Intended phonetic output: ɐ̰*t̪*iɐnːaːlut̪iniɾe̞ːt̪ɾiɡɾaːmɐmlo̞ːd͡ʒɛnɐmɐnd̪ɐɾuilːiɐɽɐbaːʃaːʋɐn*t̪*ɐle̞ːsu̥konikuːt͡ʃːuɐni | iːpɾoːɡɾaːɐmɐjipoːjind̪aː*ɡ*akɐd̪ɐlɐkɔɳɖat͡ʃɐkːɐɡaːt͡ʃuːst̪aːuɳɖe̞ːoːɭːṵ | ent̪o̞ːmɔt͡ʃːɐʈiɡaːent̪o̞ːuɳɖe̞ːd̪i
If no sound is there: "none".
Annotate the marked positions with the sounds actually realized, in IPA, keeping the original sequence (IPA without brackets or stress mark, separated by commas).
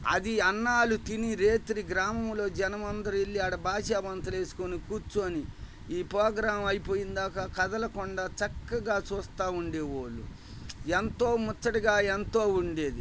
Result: d̪, t̪, k